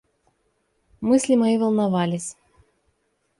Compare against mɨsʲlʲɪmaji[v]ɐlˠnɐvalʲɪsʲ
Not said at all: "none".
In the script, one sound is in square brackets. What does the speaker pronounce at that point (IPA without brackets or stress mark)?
v